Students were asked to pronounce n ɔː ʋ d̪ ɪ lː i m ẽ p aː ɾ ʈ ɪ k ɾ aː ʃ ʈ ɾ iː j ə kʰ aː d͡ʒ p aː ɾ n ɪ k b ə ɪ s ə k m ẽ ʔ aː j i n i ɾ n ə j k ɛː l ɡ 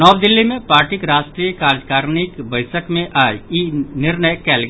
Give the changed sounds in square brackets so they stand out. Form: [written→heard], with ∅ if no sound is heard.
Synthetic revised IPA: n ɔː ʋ d̪ ɪ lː i m ẽ p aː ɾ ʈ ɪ k ɾ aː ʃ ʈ ɾ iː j ə [kʰ→k] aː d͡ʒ [p→k] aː ɾ n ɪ k b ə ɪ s ə k m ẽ ʔ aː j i n [i→ɪ] ɾ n ə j k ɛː l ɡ